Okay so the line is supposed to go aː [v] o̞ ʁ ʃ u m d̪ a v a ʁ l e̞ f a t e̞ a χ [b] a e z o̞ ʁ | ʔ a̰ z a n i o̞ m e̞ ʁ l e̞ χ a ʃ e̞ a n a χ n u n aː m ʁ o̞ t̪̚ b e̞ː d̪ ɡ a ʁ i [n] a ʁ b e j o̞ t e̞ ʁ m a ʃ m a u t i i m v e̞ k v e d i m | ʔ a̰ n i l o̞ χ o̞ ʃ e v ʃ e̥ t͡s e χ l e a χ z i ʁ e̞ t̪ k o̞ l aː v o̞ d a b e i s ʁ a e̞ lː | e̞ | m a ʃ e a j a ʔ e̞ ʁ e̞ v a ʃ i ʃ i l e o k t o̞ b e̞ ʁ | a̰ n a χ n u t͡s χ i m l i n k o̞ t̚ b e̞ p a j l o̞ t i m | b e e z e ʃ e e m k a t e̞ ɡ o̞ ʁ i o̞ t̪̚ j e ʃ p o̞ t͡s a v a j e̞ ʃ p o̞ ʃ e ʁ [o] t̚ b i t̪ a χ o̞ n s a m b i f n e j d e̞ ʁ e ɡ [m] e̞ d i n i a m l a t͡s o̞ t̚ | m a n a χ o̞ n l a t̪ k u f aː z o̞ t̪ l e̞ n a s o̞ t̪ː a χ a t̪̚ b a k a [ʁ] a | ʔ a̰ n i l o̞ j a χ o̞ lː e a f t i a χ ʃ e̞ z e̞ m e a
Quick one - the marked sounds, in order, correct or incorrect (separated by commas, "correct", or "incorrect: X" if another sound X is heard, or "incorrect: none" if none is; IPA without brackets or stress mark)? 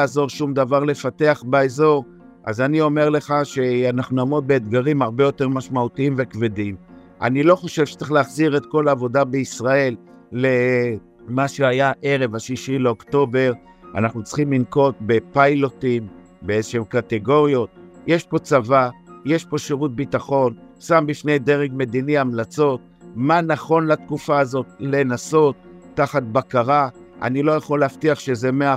incorrect: z, correct, incorrect: m, incorrect: u, correct, correct